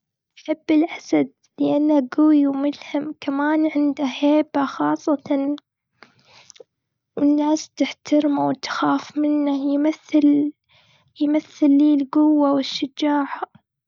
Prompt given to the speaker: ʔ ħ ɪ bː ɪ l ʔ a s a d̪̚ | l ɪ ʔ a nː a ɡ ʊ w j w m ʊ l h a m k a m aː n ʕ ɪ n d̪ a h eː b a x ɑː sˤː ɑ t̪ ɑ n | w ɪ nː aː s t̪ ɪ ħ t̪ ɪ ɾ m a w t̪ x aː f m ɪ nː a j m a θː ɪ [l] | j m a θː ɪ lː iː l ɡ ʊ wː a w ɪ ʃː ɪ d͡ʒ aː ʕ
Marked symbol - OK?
yes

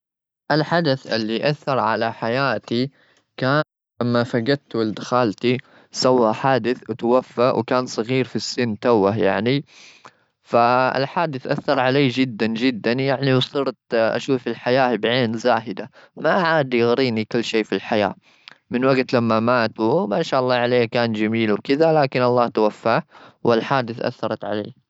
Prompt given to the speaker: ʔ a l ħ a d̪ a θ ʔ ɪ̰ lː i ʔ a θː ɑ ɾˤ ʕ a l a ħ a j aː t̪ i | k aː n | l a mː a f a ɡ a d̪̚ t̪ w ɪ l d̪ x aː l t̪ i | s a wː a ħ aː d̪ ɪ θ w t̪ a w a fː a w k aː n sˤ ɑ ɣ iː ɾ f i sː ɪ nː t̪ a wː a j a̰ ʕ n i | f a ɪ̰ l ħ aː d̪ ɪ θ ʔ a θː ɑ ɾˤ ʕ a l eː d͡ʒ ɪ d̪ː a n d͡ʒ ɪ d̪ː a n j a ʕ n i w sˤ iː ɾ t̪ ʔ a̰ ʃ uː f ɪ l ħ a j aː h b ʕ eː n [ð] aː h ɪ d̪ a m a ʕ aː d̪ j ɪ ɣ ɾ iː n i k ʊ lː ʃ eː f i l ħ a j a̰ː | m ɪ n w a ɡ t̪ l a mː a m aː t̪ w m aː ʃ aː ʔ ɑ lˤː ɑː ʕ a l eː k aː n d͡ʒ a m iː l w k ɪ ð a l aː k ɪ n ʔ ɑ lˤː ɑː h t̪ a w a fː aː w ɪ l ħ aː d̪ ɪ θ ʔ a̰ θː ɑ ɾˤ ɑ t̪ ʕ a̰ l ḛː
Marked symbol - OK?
no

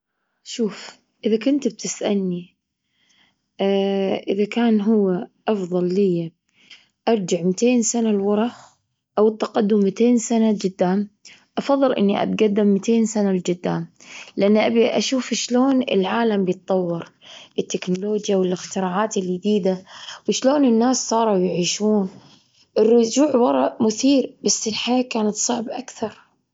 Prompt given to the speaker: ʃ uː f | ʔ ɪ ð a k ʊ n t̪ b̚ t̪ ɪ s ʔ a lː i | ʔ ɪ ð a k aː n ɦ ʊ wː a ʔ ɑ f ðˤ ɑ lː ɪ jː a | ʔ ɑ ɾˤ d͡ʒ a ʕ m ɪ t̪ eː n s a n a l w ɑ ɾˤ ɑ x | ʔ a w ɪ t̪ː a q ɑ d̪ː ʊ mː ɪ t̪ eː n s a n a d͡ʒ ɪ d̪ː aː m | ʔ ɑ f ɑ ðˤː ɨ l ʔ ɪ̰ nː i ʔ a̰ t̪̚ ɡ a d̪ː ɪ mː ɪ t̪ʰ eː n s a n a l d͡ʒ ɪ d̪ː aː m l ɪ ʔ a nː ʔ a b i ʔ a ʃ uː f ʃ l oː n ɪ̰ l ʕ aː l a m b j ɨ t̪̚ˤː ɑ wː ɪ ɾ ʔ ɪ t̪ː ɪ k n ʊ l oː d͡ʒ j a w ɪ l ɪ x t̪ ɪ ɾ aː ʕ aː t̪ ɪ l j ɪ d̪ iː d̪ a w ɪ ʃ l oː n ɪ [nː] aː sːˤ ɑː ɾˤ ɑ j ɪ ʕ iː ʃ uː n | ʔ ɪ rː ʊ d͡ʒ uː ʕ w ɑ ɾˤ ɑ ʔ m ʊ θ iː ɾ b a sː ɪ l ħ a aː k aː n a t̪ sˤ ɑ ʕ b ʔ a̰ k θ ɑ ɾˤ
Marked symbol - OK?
yes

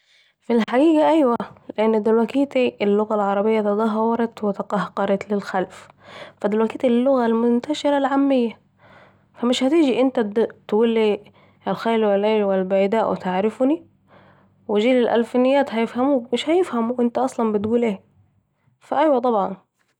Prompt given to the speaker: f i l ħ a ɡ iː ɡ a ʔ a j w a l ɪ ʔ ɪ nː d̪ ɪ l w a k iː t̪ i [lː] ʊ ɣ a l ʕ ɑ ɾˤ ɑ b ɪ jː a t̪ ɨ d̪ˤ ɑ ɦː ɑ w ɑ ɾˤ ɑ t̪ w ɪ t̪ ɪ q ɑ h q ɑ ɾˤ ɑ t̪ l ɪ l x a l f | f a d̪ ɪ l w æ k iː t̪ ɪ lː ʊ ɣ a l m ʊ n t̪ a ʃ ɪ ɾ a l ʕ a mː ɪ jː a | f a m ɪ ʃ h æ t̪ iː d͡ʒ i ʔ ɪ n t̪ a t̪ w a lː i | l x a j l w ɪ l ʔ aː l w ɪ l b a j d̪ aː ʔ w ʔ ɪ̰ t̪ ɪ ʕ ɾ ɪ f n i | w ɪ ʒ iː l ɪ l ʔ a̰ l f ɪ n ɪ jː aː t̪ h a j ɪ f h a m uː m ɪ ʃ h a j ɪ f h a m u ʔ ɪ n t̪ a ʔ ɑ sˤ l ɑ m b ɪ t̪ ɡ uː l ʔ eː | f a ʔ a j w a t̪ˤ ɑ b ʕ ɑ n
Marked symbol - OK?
yes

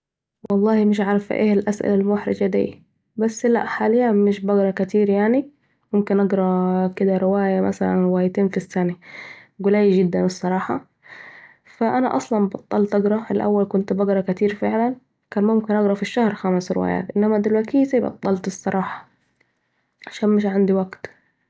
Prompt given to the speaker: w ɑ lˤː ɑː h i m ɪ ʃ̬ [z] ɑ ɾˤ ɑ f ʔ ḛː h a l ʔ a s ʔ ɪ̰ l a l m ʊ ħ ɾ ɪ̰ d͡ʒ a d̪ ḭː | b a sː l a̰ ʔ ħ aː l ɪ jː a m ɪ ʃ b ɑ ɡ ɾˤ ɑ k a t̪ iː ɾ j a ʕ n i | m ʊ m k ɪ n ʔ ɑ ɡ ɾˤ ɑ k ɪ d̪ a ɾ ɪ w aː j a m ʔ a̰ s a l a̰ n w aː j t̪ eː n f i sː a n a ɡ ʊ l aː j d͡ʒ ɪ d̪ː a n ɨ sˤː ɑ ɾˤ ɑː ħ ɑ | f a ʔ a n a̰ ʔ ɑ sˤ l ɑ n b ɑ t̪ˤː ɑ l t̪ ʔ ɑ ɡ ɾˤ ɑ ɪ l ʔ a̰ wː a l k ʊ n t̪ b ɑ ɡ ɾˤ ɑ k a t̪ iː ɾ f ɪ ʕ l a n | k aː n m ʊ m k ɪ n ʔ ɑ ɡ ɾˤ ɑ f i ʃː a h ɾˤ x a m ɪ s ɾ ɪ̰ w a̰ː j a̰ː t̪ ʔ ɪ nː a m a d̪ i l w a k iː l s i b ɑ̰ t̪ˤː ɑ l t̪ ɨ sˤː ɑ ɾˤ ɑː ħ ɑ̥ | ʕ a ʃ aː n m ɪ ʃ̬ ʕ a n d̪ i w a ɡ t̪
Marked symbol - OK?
no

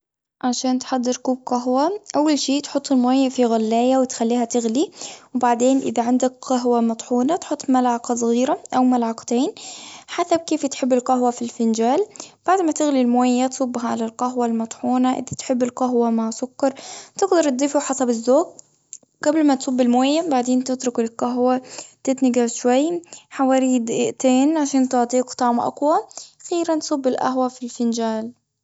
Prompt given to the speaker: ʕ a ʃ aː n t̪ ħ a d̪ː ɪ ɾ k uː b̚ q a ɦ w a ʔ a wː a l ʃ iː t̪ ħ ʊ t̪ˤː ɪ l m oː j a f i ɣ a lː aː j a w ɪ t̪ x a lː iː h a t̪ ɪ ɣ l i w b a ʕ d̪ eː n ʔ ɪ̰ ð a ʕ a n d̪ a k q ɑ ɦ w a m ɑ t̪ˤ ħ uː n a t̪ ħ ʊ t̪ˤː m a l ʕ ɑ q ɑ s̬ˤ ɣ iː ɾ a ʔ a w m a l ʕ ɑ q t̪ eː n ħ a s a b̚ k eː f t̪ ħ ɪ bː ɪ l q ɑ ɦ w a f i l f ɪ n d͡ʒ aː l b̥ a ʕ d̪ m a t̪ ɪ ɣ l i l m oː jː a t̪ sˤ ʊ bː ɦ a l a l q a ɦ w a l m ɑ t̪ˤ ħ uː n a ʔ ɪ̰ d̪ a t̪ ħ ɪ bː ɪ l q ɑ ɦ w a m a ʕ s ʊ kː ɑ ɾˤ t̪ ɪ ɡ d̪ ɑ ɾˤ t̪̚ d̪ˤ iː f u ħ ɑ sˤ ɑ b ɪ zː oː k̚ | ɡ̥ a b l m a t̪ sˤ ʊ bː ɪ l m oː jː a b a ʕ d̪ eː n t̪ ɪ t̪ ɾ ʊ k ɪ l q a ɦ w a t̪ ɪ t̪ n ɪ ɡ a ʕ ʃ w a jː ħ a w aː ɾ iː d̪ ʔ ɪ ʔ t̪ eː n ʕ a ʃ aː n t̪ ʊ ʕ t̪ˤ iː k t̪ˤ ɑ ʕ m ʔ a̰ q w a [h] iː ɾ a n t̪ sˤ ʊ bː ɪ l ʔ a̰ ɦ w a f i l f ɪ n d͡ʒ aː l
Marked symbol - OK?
no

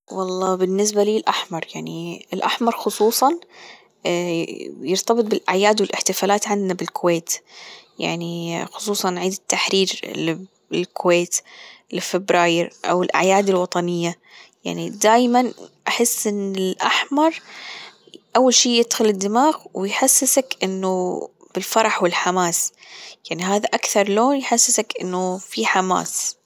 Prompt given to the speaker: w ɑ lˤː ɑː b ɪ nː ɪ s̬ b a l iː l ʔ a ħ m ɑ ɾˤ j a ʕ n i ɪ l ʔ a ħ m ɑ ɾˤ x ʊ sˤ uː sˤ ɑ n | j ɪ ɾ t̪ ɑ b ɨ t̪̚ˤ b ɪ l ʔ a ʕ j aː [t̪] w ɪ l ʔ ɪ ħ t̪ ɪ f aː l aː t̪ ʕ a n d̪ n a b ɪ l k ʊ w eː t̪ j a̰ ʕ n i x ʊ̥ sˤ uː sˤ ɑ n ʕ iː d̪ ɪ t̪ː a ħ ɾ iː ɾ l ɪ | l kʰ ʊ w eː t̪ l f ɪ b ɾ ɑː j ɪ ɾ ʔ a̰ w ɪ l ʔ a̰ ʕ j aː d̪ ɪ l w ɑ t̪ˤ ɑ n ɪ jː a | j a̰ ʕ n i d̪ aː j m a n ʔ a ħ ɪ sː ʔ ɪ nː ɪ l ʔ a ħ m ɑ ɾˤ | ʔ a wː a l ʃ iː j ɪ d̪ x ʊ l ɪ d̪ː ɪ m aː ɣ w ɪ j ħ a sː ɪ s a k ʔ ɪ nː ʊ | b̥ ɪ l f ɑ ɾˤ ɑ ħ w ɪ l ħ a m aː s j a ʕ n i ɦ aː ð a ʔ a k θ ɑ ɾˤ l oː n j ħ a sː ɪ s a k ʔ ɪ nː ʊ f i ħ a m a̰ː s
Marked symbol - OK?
no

